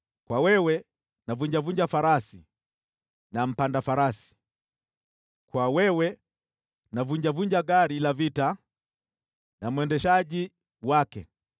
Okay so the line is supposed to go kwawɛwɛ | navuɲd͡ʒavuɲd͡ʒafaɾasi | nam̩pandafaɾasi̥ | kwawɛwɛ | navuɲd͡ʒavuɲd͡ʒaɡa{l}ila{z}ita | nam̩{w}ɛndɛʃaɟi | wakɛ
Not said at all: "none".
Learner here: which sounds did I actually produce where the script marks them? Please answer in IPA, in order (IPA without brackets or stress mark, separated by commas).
ɾ, v, w